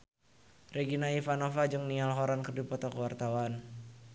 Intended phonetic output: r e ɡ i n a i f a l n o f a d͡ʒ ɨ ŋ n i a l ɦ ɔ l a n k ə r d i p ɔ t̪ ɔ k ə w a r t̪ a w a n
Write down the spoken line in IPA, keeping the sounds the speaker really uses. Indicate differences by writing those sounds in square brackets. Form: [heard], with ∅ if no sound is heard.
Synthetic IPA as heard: r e ɡ i n a i f a [∅] n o f a d͡ʒ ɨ ŋ n i a l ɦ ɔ [ɾ] a n k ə r d i p ɔ t̪ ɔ k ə w a r t̪ a w a n